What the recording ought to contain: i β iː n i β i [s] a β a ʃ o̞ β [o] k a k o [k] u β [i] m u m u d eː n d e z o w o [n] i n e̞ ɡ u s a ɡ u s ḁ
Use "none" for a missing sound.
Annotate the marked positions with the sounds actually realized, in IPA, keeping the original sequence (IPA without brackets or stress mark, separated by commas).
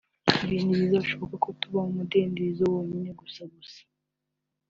z, o, t, a, ɲ